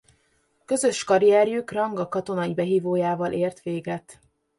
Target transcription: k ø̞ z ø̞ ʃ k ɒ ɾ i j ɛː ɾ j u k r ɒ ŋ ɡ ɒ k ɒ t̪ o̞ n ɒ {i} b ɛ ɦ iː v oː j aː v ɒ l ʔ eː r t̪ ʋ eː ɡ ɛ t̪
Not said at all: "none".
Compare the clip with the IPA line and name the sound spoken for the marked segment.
i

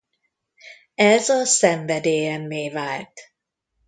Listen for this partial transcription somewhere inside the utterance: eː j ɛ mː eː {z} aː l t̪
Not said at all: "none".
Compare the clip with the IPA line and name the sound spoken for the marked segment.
v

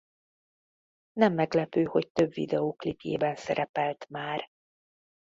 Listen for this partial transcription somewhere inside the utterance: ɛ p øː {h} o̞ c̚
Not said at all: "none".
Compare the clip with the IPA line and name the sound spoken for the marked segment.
h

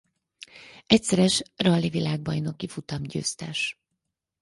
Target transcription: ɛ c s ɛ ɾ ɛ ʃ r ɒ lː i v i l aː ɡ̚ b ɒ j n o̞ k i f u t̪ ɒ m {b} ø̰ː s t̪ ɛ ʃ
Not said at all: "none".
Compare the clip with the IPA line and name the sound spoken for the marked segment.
ɟ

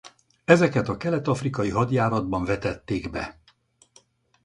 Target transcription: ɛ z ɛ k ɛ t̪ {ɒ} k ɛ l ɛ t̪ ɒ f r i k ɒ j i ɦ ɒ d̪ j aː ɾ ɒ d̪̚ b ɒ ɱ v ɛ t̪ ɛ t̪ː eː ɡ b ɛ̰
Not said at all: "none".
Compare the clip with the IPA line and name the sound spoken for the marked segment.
ɒ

